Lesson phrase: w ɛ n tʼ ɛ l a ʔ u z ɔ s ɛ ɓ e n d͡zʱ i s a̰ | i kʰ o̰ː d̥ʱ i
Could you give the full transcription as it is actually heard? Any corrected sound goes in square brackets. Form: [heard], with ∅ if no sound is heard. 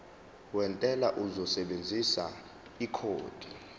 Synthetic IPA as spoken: w ɛ n tʼ ɛ l a ʔ u z ɔ s ɛ ɓ e n d͡zʱ i s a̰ | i kʰ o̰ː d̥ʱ i